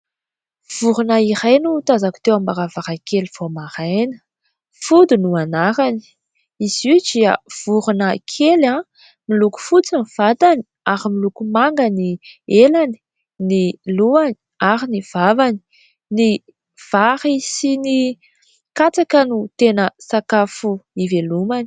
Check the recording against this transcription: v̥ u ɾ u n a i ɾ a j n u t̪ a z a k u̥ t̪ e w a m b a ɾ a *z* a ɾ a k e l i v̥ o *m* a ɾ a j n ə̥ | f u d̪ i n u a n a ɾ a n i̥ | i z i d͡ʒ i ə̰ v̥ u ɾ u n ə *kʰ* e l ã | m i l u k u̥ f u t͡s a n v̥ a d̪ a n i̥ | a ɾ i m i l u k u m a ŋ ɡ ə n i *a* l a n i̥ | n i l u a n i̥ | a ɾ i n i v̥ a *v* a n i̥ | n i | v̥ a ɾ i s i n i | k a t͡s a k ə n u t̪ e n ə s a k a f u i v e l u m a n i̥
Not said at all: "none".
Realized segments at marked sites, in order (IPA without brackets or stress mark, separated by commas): v, m, kʰ, e, v